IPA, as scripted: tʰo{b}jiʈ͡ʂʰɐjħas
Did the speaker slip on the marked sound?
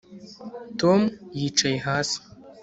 yes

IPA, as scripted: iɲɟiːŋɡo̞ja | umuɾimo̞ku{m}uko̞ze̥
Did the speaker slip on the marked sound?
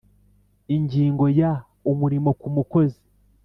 no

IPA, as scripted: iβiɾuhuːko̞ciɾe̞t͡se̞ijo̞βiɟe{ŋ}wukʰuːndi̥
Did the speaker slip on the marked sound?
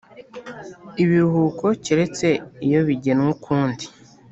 yes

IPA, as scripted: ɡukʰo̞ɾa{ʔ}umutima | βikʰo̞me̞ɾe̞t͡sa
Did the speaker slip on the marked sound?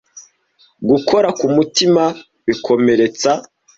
yes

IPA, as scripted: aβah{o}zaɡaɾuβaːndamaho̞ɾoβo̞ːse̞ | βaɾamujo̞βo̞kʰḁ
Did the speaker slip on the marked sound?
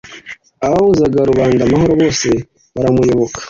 yes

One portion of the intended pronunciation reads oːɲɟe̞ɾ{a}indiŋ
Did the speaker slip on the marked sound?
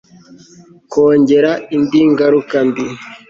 no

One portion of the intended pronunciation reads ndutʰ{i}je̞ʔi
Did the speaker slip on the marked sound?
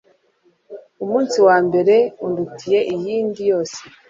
no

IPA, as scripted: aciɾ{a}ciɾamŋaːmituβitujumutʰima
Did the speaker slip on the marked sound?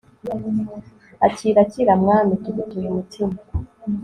no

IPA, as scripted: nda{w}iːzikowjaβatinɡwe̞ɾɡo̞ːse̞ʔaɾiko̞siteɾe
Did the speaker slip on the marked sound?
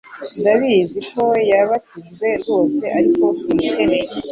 yes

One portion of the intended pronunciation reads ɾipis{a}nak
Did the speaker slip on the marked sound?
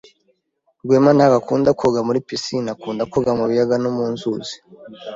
yes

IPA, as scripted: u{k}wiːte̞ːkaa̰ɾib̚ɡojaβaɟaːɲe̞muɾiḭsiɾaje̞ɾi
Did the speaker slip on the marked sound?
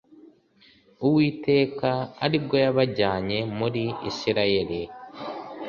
yes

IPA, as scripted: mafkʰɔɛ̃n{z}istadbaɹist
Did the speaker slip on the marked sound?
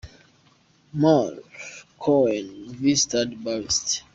yes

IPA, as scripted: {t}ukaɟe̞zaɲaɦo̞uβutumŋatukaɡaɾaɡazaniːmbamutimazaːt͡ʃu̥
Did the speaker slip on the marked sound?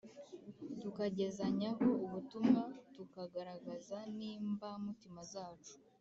no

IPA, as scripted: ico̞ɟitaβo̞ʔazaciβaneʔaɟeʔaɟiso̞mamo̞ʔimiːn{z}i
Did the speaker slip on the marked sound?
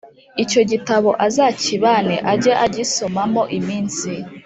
yes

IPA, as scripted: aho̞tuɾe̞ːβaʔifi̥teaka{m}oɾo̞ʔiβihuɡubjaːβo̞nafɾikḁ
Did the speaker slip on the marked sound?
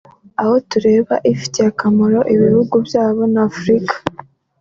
no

